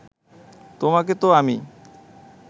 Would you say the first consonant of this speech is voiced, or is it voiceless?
voiceless